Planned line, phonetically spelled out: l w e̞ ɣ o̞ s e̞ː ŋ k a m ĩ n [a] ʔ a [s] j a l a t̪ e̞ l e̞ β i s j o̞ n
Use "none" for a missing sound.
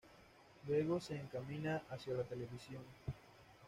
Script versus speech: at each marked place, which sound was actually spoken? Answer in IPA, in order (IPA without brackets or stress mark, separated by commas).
a, s